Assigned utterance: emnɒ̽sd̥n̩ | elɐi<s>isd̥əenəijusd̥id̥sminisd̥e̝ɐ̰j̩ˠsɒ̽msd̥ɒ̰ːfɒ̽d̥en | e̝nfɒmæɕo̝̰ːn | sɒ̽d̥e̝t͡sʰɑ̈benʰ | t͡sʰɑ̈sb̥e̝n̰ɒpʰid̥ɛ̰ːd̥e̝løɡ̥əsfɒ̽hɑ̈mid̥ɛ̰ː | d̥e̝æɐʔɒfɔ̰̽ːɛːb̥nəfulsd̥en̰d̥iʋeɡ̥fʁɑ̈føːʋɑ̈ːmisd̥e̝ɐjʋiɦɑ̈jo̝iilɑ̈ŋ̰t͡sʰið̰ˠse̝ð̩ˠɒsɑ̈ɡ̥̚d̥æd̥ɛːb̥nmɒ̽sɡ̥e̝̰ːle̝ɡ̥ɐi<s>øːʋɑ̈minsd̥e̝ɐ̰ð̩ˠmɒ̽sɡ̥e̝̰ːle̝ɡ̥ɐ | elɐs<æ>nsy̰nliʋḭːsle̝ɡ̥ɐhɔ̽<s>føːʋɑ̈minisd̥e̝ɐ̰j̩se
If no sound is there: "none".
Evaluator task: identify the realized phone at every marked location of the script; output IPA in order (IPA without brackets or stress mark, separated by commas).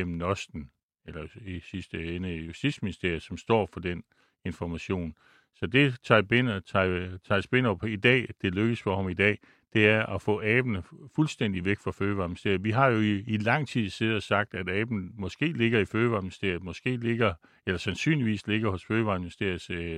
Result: s, f, æ, s